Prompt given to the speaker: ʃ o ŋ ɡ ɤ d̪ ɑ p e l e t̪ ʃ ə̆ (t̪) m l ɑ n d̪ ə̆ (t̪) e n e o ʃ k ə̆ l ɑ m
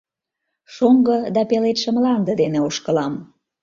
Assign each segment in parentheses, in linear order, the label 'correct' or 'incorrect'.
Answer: incorrect, incorrect

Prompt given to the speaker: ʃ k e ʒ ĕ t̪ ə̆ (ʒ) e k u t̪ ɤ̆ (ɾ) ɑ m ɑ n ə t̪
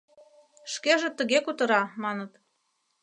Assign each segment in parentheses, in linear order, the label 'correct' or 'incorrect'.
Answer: incorrect, correct

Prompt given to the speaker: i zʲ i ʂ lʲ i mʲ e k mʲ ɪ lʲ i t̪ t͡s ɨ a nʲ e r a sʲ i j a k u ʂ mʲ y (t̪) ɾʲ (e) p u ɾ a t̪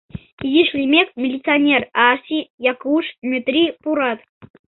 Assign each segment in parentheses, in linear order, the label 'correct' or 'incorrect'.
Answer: correct, incorrect

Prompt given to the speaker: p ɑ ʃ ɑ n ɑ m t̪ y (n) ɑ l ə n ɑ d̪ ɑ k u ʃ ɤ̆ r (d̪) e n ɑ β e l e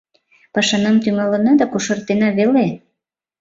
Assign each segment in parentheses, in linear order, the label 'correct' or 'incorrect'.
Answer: incorrect, incorrect

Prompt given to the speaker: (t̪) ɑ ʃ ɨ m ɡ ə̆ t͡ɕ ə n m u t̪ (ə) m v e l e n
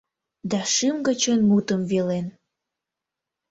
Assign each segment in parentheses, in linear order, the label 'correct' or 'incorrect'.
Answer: incorrect, correct

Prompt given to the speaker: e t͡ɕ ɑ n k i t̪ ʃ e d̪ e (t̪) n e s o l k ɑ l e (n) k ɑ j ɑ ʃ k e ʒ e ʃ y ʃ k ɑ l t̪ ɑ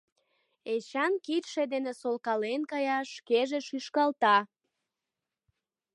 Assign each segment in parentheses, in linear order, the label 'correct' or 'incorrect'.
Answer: incorrect, correct

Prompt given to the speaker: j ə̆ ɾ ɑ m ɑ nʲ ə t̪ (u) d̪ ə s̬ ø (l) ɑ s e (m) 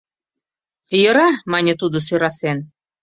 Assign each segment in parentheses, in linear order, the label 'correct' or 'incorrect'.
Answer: correct, incorrect, incorrect

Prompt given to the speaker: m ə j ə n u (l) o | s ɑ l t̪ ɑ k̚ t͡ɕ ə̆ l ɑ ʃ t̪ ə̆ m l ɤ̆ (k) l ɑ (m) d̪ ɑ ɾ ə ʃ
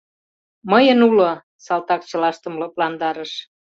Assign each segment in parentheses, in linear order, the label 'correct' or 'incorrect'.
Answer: correct, incorrect, incorrect

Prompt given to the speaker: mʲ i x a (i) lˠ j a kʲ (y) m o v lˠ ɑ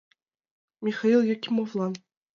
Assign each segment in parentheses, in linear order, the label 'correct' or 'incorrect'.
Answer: correct, incorrect

